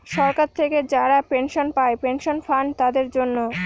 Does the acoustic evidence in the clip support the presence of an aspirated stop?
yes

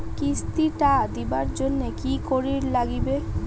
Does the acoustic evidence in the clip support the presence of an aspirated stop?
no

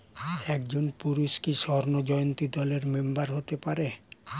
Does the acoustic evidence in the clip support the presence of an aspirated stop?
no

